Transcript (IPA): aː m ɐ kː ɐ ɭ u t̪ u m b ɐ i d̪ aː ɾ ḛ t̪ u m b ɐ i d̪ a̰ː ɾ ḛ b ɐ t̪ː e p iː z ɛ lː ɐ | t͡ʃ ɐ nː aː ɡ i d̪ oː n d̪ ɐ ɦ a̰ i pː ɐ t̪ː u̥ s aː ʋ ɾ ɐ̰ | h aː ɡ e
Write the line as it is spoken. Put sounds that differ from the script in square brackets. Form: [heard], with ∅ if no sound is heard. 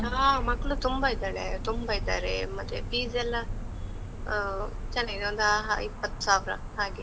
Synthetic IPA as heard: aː m ɐ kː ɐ ɭ u t̪ u m b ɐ i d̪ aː [ɭ] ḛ t̪ u m b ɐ i d̪ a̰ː ɾ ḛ [m] ɐ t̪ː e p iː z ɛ lː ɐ | t͡ʃ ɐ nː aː ɡ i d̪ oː n d̪ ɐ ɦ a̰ i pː ɐ t̪ː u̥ s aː ʋ ɾ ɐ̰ | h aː ɡ e